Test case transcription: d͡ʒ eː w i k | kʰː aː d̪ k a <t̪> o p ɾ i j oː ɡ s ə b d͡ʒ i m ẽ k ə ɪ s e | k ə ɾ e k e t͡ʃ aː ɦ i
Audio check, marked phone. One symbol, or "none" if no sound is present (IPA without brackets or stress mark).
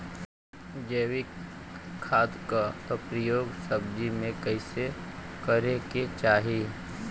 t̪